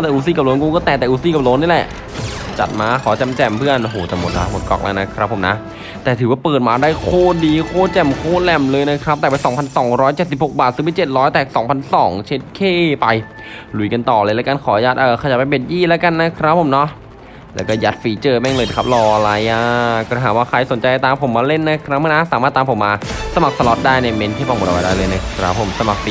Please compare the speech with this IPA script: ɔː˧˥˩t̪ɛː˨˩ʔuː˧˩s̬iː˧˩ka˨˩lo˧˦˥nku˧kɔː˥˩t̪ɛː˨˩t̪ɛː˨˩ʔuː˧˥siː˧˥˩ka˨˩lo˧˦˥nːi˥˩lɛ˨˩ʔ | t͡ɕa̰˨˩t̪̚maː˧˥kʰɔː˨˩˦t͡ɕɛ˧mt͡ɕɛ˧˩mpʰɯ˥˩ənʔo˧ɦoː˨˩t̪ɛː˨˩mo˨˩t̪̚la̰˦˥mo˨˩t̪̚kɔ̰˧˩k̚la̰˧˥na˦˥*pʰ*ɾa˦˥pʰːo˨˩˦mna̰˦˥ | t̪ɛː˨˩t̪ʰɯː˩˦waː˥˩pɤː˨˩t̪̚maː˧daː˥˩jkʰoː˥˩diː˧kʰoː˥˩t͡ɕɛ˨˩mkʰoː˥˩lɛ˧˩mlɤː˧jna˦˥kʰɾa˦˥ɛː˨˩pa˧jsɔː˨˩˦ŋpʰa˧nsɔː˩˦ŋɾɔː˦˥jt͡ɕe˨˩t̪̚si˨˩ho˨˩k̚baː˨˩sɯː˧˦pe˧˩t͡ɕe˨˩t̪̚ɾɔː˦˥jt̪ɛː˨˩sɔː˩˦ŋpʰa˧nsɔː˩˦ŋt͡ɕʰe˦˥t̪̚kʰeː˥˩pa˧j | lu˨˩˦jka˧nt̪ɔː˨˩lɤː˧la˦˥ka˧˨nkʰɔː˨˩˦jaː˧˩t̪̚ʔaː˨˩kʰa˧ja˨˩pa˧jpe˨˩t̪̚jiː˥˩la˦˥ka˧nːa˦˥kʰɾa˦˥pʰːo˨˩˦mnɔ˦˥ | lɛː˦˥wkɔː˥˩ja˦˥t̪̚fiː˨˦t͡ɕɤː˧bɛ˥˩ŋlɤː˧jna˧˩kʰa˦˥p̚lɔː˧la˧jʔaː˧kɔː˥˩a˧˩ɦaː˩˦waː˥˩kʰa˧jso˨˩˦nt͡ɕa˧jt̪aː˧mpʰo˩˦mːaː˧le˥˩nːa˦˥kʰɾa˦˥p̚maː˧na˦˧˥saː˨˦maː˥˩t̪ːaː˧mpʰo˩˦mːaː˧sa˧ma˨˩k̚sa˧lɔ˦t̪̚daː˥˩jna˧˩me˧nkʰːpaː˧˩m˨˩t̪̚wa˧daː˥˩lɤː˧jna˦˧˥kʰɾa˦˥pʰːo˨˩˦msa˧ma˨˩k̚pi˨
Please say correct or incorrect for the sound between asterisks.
incorrect